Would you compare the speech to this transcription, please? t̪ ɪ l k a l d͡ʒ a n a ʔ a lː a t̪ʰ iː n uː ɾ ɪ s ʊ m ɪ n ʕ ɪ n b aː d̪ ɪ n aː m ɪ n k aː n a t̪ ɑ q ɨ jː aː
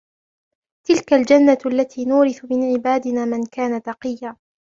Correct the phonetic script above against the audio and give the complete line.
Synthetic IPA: t̪ ɪ l k a l d͡ʒ a nː a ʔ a lː a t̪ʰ iː n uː ɾ ɪ θ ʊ m ɪ n ʕ ɪ b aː d̪ ɪ n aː m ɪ n k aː n a t̪ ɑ q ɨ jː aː